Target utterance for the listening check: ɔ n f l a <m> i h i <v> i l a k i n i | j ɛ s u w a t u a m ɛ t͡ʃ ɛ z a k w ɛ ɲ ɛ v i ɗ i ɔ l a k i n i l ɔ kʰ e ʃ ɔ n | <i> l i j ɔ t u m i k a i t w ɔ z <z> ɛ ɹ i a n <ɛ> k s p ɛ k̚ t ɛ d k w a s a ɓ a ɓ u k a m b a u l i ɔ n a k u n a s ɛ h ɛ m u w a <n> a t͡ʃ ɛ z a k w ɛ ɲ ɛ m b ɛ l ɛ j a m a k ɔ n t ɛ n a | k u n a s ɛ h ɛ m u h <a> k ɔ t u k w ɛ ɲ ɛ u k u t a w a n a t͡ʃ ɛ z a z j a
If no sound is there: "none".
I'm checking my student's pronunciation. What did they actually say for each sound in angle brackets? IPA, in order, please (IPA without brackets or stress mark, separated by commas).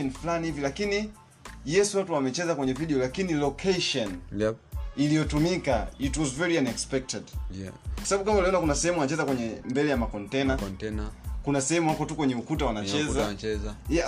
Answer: n, v, i, v, ɛ, n, a